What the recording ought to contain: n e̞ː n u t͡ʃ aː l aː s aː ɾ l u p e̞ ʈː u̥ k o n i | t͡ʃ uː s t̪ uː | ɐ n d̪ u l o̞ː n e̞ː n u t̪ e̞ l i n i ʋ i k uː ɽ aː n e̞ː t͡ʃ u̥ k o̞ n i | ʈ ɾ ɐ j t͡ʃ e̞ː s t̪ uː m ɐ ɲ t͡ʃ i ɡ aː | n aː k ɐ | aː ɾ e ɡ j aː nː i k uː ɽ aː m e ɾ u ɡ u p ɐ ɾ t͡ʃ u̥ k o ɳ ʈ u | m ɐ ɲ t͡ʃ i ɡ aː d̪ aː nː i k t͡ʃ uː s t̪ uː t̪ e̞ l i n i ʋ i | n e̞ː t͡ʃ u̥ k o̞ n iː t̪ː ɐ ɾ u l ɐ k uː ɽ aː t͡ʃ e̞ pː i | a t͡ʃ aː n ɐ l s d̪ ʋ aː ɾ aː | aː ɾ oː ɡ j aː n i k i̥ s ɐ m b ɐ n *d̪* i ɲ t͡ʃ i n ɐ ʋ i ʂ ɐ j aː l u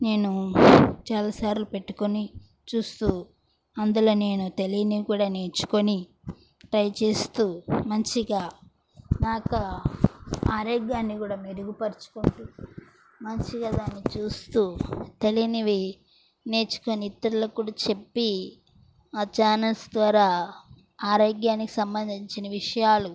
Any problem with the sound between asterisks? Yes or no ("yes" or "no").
no